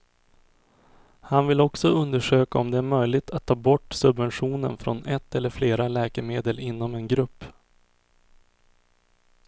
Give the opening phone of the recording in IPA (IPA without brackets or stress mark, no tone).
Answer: h